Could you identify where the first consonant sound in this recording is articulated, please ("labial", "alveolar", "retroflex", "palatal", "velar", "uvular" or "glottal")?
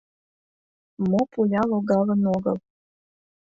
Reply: labial